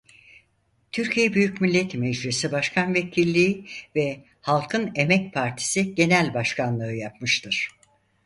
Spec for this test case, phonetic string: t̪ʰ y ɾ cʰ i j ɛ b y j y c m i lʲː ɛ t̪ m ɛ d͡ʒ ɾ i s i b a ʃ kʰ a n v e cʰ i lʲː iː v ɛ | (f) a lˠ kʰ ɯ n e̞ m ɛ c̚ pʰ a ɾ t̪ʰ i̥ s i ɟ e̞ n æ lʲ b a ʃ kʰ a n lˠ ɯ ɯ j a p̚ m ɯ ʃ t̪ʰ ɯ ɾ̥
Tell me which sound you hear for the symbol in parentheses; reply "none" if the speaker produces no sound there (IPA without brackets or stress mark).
h